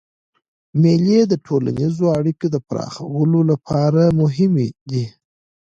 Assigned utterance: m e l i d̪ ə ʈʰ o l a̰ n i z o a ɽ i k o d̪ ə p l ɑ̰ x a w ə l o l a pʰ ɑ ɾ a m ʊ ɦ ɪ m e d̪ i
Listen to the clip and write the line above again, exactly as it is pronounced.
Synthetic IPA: m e l e d̪ ə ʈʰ o l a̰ n i z o a ɽ i k o d̪ ə p ɾ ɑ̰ x a w ə l o l a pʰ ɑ ɾ a m ʊ ɦ ɪ m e d̪ i